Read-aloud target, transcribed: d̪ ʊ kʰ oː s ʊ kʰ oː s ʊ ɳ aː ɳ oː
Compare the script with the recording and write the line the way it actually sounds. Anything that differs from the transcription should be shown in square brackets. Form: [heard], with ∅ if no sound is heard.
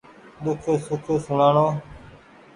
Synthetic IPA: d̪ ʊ kʰ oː s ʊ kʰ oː s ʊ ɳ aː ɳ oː

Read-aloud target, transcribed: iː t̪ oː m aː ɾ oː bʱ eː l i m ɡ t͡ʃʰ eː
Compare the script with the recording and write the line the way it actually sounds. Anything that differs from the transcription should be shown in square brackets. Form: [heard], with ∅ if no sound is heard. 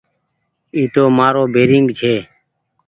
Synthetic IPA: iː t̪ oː m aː ɾ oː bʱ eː [ɾ] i [ŋ] ɡ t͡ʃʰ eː

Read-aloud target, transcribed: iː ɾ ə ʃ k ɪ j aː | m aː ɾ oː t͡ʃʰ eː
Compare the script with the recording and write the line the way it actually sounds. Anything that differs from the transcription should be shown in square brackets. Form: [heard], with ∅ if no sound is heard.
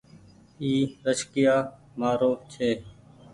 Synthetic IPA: iː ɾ ə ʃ k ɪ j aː | m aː ɾ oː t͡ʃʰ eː

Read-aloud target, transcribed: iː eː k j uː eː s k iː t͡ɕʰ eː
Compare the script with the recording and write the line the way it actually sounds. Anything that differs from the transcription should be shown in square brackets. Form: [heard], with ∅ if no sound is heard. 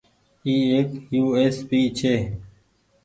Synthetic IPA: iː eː k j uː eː s [p] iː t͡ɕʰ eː

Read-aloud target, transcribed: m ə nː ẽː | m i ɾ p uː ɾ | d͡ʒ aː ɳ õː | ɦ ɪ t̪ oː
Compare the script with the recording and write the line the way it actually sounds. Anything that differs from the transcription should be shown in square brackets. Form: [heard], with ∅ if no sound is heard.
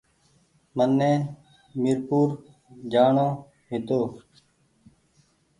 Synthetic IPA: m ə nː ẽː | m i ɾ p uː ɾ | d͡ʒ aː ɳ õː | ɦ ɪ t̪ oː

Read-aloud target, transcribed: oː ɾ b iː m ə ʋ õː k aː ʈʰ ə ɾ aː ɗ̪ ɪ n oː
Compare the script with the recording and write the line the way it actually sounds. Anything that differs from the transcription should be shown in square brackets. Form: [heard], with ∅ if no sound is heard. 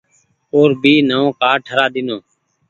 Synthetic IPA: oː ɾ b iː [n] ə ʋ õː k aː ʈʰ ə ɾ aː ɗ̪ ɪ n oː

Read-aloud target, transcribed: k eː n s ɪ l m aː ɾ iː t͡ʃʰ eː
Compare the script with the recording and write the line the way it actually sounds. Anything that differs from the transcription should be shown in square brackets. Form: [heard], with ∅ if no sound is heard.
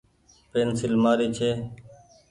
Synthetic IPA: [p] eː n s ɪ l m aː ɾ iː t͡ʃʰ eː

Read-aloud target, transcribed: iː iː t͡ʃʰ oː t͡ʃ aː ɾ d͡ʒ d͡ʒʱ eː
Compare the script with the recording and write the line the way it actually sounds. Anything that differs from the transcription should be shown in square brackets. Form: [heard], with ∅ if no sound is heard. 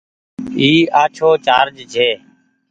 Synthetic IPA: iː [aː] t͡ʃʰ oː t͡ʃ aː ɾ d͡ʒ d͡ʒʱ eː

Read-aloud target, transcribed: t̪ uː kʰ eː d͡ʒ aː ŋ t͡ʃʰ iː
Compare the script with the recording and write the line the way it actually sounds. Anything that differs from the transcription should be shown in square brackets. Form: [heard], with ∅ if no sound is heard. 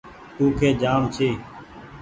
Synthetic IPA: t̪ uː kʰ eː d͡ʒ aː [m] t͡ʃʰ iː

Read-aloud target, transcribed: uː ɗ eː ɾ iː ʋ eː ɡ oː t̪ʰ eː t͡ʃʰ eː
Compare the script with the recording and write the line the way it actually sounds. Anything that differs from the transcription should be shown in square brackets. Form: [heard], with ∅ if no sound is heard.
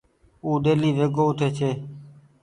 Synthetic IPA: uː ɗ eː [l] iː ʋ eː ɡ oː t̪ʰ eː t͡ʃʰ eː

